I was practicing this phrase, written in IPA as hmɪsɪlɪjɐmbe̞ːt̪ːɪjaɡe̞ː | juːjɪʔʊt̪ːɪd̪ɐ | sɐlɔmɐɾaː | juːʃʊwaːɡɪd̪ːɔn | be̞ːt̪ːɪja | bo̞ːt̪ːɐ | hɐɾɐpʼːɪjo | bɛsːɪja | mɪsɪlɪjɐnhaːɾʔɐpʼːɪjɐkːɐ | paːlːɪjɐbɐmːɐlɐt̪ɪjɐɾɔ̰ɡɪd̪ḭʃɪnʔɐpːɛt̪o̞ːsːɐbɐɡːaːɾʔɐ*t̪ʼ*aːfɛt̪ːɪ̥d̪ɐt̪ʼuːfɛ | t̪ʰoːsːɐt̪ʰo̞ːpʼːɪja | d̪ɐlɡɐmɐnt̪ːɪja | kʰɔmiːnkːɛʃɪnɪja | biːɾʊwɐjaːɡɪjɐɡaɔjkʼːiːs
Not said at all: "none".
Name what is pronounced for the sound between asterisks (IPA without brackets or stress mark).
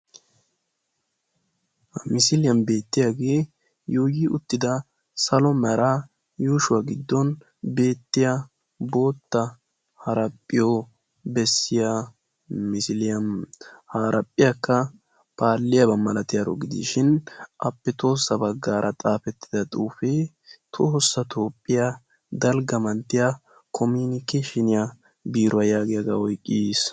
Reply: t̪ʼ